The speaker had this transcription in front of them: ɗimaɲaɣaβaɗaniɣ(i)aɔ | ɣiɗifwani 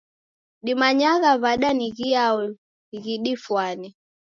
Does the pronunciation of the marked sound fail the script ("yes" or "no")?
no